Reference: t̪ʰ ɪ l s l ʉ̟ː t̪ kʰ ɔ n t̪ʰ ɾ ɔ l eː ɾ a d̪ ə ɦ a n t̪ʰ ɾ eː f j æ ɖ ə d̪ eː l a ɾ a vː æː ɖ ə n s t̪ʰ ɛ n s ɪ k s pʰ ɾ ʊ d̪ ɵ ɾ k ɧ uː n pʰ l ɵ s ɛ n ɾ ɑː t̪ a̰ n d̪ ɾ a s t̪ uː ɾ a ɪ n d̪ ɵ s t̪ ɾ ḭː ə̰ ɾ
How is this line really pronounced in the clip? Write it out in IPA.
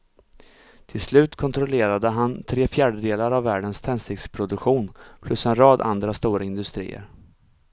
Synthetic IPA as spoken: t̪ʰ ɪ l s l ʉ̟ː t̪ kʰ ɔ n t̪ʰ ɾ ɔ l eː ɾ a d̪ ə ɦ a n t̪ʰ ɾ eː f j æː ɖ ə d̪ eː l a ɾ a vː æː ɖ ə n s t̪ʰ ɛ n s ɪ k s pʰ ɾ ʊ d̪ ɵ k ɧ uː n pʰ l ɵ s ɛ n ɾ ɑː d̪ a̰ n d̪ ɾ a s t̪ uː ɾ a ɪ n d̪ ɵ s t̪ ɾ ḭː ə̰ ɾ